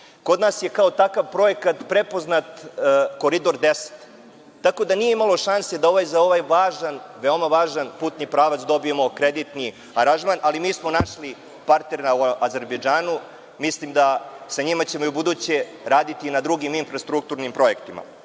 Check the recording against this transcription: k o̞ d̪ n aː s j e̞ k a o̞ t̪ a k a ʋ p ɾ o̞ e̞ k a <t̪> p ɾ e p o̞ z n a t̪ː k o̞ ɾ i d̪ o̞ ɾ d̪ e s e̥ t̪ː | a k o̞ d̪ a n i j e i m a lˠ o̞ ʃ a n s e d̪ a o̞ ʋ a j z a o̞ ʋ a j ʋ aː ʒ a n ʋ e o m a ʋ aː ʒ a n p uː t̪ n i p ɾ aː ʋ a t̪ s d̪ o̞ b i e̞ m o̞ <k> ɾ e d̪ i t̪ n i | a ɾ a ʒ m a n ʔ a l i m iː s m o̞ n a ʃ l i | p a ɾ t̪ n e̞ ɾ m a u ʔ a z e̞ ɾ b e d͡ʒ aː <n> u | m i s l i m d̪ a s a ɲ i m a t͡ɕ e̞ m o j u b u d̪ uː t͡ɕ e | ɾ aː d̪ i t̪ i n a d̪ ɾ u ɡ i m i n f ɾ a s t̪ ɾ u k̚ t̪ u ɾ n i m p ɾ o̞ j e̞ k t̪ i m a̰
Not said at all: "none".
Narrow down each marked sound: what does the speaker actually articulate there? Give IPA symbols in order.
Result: t̪, k, n

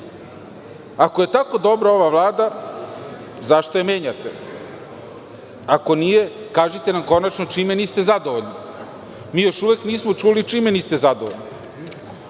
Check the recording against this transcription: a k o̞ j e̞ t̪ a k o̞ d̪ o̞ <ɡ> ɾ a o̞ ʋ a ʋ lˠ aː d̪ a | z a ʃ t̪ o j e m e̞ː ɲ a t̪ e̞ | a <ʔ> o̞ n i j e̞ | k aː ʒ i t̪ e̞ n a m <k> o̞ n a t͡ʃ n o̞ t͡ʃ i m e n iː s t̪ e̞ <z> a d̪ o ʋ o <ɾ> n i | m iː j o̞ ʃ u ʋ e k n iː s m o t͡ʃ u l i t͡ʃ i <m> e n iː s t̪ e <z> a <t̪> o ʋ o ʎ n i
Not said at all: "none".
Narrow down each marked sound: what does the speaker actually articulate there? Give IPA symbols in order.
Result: b, k, k, z, ʎ, m, z, d̪

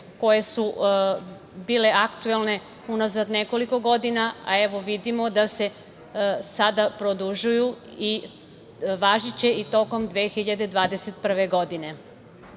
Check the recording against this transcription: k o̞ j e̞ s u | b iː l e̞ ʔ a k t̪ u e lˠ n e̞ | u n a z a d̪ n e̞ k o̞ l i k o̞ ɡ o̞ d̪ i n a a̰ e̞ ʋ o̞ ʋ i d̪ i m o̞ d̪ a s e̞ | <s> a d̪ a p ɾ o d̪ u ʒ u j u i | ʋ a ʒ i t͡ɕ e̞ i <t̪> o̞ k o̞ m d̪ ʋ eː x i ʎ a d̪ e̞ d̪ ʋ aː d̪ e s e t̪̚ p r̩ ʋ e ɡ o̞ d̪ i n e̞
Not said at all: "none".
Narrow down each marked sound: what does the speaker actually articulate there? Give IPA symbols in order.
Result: s, t̪

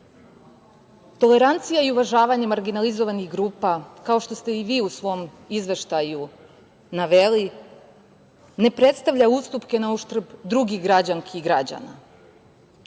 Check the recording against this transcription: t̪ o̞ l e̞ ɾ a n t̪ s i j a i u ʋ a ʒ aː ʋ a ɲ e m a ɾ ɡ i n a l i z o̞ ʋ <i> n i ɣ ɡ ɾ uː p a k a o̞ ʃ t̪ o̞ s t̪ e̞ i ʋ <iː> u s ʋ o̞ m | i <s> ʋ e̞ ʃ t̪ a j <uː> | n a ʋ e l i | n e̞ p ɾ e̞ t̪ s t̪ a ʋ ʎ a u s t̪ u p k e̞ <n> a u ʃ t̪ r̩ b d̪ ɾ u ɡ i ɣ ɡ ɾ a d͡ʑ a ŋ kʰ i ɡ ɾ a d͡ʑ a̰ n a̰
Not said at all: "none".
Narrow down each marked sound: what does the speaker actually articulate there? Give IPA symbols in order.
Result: a, iː, z, u, n

